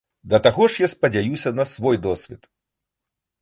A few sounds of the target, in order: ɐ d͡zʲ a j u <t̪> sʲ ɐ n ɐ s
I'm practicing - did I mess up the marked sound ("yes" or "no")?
yes